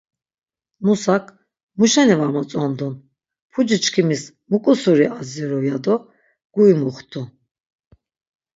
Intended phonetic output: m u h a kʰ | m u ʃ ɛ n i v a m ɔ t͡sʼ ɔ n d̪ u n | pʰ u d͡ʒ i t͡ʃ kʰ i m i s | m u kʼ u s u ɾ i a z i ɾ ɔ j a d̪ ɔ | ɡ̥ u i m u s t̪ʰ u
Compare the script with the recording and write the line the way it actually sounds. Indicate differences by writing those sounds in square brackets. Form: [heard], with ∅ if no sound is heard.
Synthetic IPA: m u [s] a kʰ | m u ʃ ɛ n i v a m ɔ t͡sʼ ɔ n d̪ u n | pʰ u d͡ʒ i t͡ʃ kʰ i m i s | m u kʼ u s u ɾ i a z i ɾ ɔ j a d̪ ɔ | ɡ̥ u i m u [χ] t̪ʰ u